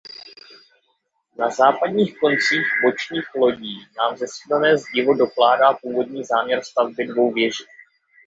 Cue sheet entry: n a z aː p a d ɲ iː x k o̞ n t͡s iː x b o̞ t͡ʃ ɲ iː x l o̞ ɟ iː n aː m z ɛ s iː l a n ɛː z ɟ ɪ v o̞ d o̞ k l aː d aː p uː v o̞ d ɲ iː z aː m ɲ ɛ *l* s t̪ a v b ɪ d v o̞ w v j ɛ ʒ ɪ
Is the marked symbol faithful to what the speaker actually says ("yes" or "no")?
no